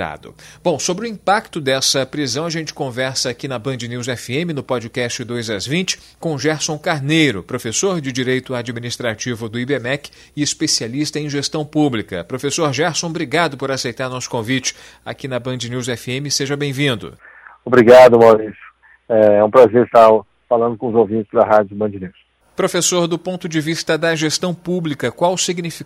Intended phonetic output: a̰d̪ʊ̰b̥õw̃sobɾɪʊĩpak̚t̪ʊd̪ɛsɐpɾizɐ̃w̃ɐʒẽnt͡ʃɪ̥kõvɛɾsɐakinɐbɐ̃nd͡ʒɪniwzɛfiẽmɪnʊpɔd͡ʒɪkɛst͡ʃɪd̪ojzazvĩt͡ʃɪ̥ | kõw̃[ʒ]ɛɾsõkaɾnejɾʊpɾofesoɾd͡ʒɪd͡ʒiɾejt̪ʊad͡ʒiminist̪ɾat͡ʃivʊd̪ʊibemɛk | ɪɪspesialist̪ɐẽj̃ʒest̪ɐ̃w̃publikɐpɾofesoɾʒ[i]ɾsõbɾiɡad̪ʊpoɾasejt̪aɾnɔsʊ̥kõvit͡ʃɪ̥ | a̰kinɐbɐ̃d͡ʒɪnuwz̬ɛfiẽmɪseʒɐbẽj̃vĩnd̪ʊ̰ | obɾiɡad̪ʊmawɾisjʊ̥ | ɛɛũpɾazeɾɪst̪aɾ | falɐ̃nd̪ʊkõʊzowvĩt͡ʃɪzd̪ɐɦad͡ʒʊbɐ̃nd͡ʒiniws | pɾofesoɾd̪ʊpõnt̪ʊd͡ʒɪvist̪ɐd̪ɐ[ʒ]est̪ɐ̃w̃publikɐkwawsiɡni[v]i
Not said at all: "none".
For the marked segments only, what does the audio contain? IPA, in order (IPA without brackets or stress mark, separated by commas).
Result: ʒ, ɛ, ʒ, f